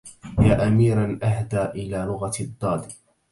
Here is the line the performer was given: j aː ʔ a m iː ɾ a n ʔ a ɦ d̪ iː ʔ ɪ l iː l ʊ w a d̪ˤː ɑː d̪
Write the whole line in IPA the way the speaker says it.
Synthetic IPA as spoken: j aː ʔ a m iː ɾ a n ʔ a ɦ d̪ aː ʔ ɪ l aː l ʊ ɣ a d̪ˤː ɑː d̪